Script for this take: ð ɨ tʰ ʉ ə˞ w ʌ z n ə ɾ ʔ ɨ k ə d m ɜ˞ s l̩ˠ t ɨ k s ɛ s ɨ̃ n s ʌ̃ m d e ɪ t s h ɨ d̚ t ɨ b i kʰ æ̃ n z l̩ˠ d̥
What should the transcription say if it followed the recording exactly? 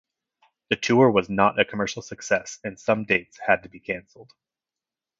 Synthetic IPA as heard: ð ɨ tʰ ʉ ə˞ w ʌ z n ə ɾ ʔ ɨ kʰ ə m ɜ˞ ʃ l̩ˠ s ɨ k s ɛ s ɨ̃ n s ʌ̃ m d e ɪ t s h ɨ d̚ t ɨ b i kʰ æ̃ n s l̩ˠ d̥